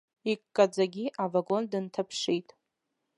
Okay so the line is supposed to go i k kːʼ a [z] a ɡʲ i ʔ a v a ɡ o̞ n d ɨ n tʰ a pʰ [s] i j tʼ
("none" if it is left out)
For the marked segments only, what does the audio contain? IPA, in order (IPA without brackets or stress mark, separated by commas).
d͡z, ʂ